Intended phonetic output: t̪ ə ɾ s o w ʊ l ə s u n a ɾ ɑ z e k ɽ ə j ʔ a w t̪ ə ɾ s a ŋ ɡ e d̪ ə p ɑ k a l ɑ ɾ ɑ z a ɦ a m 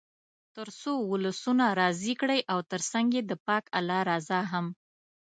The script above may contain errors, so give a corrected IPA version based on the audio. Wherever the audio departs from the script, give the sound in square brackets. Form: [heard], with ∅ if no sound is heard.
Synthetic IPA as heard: t̪ ə ɾ s o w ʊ l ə s u n a ɾ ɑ z [i] k ɽ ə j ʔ a w t̪ ə ɾ s a ŋ ɡ e d̪ ə p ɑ k a l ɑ ɾ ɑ z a ɦ a m